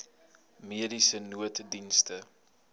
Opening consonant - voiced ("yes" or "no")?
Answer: yes